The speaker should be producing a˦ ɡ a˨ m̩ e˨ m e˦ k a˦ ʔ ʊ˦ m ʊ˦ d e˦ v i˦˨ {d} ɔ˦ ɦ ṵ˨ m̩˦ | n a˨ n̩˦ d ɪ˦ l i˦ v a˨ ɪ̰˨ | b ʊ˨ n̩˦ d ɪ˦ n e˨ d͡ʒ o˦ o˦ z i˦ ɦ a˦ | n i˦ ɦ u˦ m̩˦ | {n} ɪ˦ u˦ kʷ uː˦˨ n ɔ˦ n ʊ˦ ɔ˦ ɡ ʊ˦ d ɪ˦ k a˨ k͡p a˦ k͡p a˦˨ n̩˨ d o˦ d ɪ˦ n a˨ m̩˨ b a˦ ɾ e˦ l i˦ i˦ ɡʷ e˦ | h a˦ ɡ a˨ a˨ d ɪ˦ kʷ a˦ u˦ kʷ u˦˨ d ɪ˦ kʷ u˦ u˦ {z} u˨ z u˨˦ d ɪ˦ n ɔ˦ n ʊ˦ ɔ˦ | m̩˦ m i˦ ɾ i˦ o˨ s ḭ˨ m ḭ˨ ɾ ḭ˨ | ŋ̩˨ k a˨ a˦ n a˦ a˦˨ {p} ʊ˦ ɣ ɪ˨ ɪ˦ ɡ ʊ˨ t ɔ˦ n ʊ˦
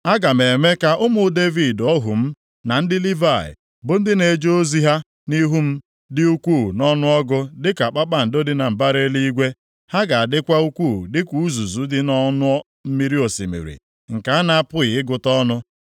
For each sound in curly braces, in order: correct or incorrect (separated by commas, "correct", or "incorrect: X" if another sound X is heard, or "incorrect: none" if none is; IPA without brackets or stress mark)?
correct, incorrect: d, correct, correct